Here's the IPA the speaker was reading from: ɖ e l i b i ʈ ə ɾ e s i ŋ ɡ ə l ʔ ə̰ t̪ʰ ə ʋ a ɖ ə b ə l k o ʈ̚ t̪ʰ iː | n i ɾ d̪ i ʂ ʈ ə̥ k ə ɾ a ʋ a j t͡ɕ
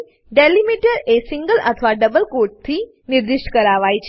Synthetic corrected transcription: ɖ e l i m i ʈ ə ɾ e s i ŋ ɡ ə l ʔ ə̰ t̪ʰ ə ʋ a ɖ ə b ə l k o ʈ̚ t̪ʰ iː | n i ɾ d̪ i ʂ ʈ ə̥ k ə ɾ a ʋ a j t͡ɕ